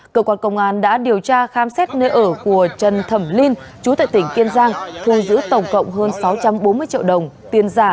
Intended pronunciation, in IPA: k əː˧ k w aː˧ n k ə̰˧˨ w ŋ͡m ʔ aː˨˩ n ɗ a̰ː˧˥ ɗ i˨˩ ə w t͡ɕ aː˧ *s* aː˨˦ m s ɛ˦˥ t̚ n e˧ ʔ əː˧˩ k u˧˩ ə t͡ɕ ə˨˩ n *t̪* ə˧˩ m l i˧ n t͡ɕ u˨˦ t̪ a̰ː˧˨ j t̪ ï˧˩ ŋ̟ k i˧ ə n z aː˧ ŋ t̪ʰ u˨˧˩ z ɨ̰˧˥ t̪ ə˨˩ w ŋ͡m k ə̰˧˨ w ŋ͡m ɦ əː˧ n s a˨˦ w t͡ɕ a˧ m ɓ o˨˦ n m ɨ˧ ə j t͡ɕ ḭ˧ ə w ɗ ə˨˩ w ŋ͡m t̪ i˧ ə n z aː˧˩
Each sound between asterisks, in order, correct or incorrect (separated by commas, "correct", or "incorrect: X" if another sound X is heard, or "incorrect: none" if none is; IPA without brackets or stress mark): incorrect: x, incorrect: t̪ʰ